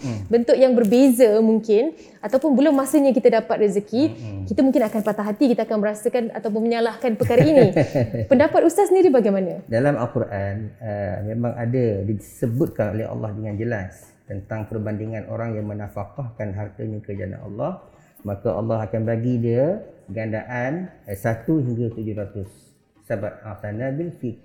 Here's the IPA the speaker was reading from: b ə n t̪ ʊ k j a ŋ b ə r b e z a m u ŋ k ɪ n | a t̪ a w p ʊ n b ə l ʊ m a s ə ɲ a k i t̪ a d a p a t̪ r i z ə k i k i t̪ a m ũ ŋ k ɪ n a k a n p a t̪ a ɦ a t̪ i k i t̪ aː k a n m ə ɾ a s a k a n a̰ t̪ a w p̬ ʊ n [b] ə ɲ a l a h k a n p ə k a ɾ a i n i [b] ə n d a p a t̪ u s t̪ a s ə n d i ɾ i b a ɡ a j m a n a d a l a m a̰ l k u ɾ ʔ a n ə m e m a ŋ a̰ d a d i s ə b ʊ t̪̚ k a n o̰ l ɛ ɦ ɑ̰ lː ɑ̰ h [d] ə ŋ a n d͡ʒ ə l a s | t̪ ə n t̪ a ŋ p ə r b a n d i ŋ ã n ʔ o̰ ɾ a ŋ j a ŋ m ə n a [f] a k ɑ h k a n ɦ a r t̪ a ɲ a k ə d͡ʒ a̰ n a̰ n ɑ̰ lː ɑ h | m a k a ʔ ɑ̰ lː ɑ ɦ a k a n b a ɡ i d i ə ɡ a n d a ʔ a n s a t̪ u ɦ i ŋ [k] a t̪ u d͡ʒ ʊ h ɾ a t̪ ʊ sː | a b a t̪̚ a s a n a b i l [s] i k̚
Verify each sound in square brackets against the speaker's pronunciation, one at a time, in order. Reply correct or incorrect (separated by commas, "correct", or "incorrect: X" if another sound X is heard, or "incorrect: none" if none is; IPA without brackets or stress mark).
incorrect: m, incorrect: p, correct, correct, incorrect: ɡ, incorrect: f